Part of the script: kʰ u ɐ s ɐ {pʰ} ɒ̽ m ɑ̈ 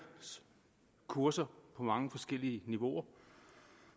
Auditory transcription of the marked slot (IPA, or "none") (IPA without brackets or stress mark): pʰ